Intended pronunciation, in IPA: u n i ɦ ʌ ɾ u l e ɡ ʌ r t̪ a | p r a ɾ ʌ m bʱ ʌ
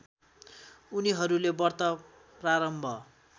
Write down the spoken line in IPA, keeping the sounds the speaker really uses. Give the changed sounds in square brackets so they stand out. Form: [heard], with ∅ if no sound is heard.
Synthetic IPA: u n i ɦ ʌ ɾ u l e [b] ʌ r t̪ [ʌ] | p r a ɾ ʌ m bʱ ʌ